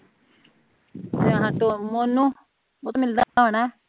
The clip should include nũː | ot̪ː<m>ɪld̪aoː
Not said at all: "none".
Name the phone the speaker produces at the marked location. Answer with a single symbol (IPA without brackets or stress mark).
m